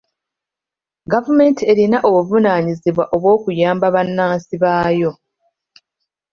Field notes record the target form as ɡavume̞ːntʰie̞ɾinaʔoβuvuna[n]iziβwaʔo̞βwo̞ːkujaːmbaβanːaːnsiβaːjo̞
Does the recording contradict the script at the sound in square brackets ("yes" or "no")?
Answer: yes